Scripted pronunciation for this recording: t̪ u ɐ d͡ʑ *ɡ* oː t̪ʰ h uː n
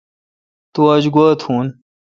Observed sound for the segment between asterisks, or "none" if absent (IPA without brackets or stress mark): ɡ